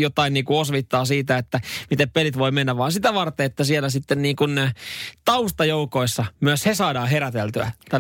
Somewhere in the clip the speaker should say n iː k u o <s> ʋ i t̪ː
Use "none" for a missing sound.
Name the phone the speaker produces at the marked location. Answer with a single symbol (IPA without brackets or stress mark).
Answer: s